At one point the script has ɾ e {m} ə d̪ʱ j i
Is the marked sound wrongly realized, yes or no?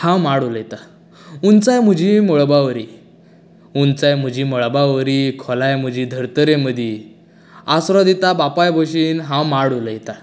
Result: no